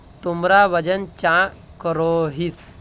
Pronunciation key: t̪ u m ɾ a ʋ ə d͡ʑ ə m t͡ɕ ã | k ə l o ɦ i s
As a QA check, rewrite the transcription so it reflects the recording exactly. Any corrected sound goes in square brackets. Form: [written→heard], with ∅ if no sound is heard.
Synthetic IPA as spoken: t̪ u m ɾ a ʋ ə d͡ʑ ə [m→n] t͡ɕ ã | k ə [l→ɾ] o ɦ i s

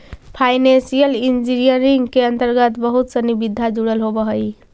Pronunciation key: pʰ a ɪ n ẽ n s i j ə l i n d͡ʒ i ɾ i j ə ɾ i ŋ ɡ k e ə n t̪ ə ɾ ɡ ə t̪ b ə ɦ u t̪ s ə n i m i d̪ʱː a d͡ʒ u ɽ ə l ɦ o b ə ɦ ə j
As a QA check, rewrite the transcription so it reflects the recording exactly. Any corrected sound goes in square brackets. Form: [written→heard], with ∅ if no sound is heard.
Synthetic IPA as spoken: pʰ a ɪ n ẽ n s i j ə l i n d͡ʒ i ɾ i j ə ɾ i ŋ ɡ k e ə n t̪ ə ɾ ɡ ə t̪ b ə ɦ u t̪ s ə n i [m→b] i d̪ʱː a d͡ʒ u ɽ ə l ɦ o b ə ɦ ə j

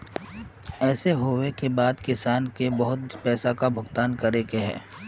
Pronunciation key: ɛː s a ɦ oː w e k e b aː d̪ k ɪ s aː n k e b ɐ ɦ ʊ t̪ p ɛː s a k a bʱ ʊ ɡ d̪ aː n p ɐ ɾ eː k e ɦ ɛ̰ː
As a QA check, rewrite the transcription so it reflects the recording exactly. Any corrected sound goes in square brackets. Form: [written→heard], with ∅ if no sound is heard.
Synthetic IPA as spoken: ɛː s [a→e] ɦ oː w e k e b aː d̪ k ɪ s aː n k e b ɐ ɦ ʊ t̪ p ɛː s a k a bʱ ʊ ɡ [d̪→t̪] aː n [p→k] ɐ ɾ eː k e ɦ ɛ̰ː

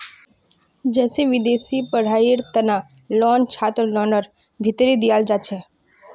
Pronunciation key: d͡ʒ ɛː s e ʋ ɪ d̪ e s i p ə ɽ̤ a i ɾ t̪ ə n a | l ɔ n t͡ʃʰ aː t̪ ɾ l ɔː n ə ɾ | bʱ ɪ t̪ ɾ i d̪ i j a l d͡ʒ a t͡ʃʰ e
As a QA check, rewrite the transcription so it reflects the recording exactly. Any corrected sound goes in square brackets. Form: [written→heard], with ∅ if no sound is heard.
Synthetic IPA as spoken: d͡ʒ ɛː s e ʋ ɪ d̪ e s i p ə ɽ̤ a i ɾ t̪ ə n a | l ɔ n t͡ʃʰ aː t̪ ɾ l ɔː n ə ɾ | bʱ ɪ t̪ ɾ i d̪ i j a l d͡ʒ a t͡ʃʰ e

